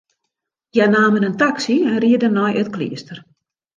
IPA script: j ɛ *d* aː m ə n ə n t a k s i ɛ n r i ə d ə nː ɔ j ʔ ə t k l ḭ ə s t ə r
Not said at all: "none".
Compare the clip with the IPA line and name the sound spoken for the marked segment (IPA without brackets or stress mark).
n